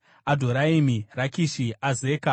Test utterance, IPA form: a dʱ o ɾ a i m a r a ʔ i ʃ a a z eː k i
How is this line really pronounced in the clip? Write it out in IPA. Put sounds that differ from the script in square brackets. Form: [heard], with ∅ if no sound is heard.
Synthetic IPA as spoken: a dʱ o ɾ a i m [i] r a [k] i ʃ [i] a z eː k [a]